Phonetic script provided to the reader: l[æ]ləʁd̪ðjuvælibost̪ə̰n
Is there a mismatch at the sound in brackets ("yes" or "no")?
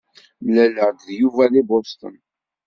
no